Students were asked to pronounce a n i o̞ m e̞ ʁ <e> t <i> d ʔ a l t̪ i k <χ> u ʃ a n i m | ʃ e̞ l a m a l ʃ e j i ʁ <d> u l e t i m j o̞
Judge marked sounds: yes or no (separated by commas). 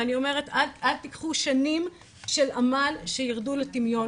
yes, no, yes, yes